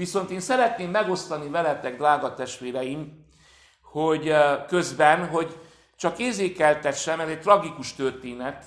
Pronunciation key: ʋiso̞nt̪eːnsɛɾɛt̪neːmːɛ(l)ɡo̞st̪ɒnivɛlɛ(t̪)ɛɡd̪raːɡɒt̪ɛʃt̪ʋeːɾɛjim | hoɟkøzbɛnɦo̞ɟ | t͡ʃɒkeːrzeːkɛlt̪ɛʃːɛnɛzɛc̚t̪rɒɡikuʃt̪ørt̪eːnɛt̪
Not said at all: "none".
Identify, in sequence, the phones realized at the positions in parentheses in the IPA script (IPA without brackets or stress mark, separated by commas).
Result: none, t̪